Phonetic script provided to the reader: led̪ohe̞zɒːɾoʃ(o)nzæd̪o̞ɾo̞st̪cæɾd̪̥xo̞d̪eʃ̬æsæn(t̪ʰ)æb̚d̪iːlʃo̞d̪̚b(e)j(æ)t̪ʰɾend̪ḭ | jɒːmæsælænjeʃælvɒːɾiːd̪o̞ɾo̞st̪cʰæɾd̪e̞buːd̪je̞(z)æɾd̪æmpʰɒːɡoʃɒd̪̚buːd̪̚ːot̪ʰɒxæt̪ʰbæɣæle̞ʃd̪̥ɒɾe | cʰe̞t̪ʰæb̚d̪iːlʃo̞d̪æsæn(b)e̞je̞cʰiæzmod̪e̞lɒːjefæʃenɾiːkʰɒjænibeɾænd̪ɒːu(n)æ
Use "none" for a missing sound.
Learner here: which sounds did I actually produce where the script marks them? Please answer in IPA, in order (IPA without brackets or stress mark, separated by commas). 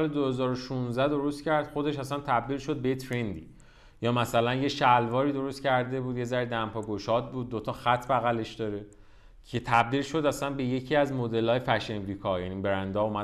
u, t̪ʰ, e, e, z, b, m